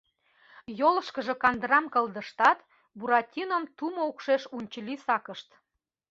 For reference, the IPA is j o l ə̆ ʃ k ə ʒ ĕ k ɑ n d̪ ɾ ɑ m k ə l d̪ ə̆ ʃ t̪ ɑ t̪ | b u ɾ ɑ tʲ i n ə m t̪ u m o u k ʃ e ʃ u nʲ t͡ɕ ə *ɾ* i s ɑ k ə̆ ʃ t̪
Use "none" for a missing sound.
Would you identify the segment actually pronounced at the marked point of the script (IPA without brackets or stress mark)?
l